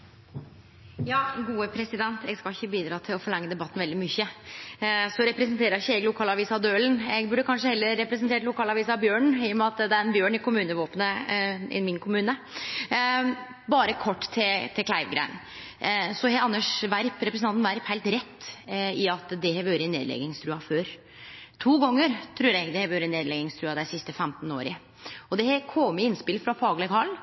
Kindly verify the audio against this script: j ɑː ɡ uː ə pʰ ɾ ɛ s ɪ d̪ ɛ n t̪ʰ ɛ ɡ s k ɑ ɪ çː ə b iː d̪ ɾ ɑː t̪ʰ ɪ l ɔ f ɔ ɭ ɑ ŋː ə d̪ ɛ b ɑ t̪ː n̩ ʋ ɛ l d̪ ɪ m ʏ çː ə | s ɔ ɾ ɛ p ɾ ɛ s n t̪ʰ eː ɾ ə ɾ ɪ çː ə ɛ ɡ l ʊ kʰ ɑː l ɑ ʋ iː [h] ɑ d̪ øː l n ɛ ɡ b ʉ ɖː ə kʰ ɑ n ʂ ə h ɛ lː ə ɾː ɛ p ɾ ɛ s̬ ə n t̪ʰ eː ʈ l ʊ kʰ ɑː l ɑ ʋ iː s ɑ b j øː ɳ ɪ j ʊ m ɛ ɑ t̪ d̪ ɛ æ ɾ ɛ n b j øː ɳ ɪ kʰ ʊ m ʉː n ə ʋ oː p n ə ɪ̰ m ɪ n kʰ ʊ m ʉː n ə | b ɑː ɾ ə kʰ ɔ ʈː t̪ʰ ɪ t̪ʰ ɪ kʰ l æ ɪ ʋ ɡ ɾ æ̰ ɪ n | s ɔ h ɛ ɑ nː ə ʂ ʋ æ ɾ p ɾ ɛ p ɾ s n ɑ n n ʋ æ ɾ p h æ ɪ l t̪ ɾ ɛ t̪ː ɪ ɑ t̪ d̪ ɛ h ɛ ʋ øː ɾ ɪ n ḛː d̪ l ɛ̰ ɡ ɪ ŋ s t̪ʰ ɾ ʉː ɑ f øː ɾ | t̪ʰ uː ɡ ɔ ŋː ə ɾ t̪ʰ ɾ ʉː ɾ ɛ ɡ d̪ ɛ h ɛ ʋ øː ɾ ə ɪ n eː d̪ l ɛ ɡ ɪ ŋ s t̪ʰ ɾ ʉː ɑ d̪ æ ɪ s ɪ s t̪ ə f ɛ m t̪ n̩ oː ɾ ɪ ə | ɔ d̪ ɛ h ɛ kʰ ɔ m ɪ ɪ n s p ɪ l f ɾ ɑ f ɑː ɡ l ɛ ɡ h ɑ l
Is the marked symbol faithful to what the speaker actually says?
no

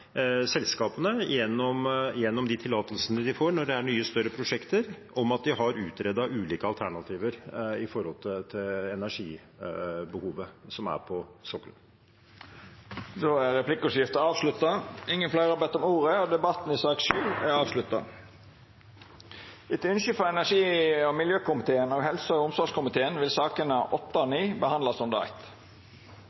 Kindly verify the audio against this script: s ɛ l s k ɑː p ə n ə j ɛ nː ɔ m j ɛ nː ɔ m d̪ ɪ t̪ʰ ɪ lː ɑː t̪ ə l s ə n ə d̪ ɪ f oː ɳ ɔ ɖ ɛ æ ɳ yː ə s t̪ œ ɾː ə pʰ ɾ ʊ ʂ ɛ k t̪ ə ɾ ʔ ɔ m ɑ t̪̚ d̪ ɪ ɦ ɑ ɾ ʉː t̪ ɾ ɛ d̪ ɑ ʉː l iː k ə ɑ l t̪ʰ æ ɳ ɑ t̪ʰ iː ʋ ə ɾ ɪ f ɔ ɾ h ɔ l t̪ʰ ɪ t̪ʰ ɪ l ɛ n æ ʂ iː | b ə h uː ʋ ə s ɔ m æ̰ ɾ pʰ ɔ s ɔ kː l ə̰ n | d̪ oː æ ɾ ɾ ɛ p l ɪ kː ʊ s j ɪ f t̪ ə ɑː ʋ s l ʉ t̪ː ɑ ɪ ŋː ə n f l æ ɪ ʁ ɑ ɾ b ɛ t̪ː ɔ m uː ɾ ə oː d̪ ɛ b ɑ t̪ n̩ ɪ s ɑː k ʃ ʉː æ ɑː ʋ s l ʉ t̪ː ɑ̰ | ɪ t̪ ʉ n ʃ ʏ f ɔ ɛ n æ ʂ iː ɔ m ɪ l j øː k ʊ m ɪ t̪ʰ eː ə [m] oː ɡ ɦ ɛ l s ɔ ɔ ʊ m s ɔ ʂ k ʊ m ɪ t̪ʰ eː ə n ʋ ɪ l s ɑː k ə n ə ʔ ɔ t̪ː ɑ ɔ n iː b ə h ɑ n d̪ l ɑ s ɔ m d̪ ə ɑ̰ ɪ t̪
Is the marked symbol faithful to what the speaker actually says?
no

